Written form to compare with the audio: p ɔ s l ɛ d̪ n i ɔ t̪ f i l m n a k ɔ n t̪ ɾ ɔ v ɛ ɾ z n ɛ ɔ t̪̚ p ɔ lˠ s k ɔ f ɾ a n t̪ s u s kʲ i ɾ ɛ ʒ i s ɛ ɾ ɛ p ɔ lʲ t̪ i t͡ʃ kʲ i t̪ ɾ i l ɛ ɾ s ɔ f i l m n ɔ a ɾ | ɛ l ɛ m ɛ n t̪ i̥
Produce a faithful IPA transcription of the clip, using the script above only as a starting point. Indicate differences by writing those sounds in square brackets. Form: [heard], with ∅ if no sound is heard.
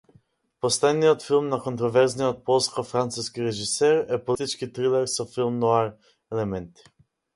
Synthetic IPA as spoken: p ɔ s l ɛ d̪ n i ɔ t̪ f i l m n a k ɔ n t̪ ɾ ɔ v ɛ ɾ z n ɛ ɔ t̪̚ p ɔ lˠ s k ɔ f ɾ a n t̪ s u s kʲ i ɾ ɛ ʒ i s ɛ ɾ ɛ p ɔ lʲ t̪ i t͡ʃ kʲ i t̪ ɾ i l ɛ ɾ s ɔ f i l m n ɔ a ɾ | ɛ l ɛ m ɛ n t̪ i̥